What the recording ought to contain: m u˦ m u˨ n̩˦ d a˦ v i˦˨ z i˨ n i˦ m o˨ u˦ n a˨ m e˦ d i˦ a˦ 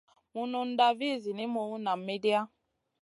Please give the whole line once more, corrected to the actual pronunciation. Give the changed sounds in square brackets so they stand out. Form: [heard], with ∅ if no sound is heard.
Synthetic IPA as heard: m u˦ [n] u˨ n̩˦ d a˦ v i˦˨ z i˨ n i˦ m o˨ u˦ n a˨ m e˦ d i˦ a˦